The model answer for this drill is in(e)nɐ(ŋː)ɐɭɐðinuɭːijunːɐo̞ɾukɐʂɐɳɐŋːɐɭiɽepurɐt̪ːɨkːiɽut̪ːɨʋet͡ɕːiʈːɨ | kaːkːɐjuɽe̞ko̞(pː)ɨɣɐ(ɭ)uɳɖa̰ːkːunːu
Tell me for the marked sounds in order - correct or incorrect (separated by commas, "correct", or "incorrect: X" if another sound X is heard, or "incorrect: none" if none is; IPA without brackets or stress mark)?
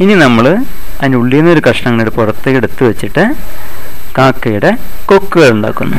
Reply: incorrect: i, incorrect: mː, incorrect: kː, correct